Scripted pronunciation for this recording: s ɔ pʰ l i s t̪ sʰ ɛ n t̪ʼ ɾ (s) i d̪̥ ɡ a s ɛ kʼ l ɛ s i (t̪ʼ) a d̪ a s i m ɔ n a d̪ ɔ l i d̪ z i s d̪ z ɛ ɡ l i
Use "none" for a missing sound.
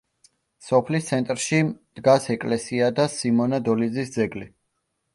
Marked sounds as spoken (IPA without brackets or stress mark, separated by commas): ʃ, none